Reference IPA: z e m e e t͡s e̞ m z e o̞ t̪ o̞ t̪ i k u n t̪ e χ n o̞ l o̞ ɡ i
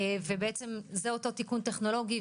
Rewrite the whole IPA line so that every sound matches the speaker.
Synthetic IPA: v e b e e t͡s e̞ m z e o̞ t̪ o̞ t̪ i k u n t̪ e χ n o̞ l o̞ ɡ i